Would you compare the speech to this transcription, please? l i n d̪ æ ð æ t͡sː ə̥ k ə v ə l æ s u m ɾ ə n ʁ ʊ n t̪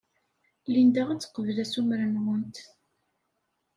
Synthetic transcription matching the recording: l i n d̪ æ ʁ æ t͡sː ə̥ q ə v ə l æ s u m ɾ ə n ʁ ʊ n t̪